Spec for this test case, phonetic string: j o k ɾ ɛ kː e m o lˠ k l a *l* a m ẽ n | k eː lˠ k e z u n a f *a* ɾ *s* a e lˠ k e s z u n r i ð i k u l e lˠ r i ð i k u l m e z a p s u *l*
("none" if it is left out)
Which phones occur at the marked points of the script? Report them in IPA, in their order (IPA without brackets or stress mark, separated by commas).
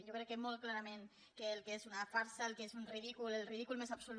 ɾ, a, s, l